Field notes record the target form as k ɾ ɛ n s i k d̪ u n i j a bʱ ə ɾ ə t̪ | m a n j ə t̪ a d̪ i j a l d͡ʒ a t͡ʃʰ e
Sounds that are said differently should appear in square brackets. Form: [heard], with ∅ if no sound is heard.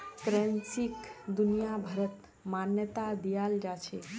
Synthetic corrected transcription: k ɾ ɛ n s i k d̪ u n i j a bʱ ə ɾ ə t̪ | m a n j ə t̪ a d̪ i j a l d͡ʒ a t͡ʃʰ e